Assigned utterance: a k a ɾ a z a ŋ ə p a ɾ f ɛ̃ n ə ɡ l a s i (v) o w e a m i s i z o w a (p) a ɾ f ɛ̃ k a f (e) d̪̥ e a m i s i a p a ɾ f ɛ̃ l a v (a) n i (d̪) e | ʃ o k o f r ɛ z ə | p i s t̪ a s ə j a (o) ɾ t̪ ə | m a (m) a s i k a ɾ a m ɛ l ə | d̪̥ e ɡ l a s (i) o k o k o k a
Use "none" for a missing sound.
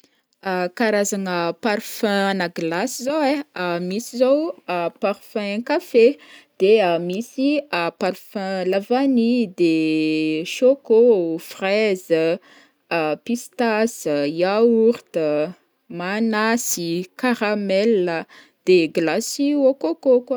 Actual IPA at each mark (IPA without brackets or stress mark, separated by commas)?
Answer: z, p, e, a, d̪, u, n, i